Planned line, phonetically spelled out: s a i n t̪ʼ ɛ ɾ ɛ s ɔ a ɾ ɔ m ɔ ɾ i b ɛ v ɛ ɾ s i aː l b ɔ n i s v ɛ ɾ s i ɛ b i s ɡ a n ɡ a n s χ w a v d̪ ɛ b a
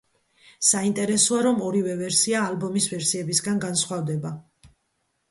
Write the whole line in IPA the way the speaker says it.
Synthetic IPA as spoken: s a i n t̪ʼ ɛ ɾ ɛ s ɔ a ɾ ɔ m ɔ ɾ i v ɛ v ɛ ɾ s i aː l b ɔ m i s v ɛ ɾ s i ɛ b i s ɡ a n ɡ a n s χ w a v d̪ ɛ b a